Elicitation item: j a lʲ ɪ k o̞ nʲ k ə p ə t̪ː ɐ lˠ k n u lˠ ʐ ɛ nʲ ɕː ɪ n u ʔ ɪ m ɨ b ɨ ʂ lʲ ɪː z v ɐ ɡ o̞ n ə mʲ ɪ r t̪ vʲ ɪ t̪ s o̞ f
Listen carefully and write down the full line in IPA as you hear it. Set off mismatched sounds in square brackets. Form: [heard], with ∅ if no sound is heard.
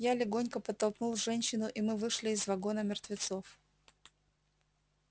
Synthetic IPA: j a lʲ ɪ [ɡ] o̞ nʲ k ə p ə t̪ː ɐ lˠ k n u lˠ ʐ ɛ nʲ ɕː ɪ n [ʊ] ʔ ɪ m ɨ [v] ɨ ʂ lʲ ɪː z v ɐ ɡ o̞ n ə mʲ ɪ r t̪ vʲ ɪ t̪ s o̞ f